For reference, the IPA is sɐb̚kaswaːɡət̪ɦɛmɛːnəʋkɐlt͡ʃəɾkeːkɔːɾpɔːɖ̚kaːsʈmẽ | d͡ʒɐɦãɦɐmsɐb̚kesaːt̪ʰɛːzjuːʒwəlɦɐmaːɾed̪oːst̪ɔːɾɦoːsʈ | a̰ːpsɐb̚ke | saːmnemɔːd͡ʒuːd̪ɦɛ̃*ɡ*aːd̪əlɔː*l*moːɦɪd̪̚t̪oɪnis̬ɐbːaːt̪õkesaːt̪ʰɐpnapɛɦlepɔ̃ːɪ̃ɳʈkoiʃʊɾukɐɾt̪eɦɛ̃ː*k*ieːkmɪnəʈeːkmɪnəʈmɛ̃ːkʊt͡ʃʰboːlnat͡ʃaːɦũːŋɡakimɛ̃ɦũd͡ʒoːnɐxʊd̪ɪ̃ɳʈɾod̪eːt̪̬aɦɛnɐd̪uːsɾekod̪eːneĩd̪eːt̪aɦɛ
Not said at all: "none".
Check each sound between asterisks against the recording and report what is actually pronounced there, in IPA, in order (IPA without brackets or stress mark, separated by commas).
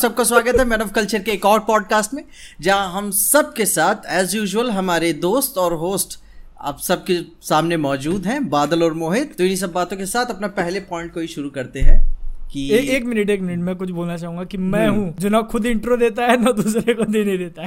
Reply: b, ɾ, k